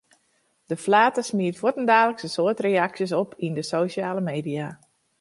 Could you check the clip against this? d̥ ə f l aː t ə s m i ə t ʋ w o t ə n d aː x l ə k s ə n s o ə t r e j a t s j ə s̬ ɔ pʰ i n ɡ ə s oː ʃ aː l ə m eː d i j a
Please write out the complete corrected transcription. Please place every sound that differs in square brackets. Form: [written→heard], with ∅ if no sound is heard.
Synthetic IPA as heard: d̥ ə f l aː t ə s m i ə t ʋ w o t ə n d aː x l ə k s ə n s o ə t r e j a [t→k] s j ə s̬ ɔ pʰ i n [ɡ→d] ə s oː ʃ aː l ə m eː d i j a